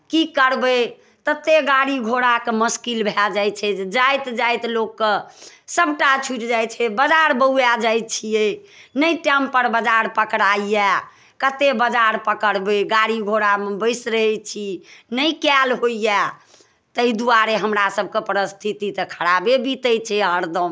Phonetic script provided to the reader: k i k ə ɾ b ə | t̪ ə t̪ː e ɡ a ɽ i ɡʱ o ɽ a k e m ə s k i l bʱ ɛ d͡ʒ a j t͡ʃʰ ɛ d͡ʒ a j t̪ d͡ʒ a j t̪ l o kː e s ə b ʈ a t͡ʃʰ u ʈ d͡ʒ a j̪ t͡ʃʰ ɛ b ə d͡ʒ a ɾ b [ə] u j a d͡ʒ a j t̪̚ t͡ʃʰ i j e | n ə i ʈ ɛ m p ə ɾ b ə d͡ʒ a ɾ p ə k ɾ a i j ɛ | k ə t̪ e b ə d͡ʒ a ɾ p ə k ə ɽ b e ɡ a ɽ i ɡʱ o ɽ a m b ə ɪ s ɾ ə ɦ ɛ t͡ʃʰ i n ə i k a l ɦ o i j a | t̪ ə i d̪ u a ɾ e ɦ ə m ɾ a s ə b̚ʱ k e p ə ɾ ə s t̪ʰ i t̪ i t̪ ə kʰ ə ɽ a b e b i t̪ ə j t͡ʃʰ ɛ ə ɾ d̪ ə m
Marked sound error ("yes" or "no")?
no